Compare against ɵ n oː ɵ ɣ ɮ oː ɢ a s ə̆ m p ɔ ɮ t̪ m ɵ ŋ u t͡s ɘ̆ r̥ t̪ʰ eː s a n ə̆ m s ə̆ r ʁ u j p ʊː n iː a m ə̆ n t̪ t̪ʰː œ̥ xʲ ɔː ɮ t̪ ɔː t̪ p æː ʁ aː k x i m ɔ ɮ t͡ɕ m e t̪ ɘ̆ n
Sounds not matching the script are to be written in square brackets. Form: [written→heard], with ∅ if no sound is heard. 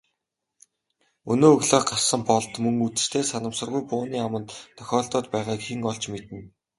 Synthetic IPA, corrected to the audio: ɵ n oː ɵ ɣ ɮ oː ɢ a s ə̆ m p ɔ ɮ t̪ m ɵ ŋ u t͡s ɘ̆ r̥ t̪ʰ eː s a n ə̆ m s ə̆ r ʁ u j p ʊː n iː a m ə̆ n t̪ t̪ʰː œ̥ xʲ ɔː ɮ t̪ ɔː t̪ p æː ʁ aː k x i [m→ŋ] ɔ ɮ t͡ɕ m e t̪ ɘ̆ n